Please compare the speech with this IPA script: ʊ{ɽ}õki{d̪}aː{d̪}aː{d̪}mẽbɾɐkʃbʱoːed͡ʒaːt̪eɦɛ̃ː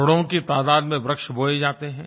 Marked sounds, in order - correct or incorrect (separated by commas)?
correct, incorrect, correct, correct